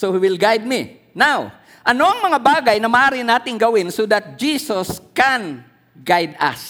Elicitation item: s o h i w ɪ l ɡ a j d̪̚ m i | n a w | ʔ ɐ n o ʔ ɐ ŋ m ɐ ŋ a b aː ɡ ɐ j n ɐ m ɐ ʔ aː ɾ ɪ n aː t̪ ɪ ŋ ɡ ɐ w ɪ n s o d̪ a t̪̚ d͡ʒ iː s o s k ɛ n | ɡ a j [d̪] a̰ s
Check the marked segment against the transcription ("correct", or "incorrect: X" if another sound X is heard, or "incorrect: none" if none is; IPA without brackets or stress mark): correct